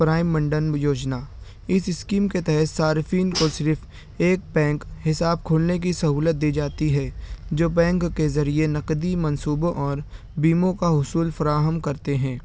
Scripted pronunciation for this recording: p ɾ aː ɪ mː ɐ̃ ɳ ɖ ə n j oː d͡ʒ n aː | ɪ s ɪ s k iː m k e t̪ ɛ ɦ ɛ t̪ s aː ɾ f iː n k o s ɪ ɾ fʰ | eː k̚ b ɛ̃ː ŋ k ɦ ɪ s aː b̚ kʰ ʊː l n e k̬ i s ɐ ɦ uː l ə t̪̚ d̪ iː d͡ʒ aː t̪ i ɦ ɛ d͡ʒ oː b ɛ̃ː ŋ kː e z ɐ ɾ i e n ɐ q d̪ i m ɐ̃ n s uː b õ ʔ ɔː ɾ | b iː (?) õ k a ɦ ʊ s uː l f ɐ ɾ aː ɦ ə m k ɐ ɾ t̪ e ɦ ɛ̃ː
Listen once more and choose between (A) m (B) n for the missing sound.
A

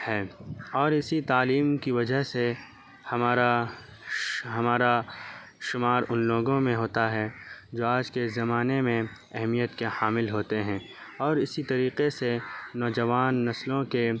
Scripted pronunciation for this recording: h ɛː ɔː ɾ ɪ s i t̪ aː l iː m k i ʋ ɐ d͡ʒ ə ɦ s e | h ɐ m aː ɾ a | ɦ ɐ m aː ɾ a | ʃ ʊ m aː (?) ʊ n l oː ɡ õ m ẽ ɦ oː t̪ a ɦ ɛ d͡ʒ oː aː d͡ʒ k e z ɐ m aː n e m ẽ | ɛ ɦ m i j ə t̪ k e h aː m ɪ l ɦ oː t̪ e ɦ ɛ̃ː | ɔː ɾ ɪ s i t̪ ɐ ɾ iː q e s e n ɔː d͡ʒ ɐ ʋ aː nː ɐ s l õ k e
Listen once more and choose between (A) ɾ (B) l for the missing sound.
A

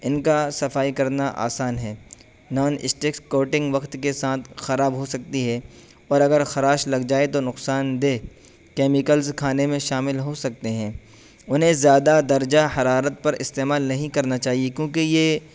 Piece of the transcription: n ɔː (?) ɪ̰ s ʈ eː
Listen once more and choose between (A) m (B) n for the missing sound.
B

